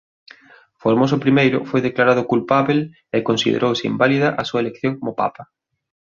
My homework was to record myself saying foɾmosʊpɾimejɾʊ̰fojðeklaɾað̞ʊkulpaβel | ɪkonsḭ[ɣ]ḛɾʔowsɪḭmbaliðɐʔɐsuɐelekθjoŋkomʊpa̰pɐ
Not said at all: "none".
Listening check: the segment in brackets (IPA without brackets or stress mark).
ð